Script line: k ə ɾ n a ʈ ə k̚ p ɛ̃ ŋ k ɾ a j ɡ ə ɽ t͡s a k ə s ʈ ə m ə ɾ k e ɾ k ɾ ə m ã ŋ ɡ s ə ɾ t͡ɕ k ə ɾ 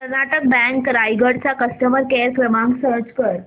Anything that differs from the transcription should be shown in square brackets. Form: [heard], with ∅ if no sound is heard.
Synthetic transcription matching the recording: k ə ɾ n a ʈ ə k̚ [b] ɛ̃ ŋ k ɾ a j ɡ ə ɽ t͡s a k ə s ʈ ə m ə ɾ k e ɾ k ɾ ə m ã ŋ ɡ s ə ɾ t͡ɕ k ə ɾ